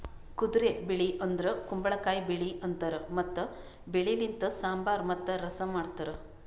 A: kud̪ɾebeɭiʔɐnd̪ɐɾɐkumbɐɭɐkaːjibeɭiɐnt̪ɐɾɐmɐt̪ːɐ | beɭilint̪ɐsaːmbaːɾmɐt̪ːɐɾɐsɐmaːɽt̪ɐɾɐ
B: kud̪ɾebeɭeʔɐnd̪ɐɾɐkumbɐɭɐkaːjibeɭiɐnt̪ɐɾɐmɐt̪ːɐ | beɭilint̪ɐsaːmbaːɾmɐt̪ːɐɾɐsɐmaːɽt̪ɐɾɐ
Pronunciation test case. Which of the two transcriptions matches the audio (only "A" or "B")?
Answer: A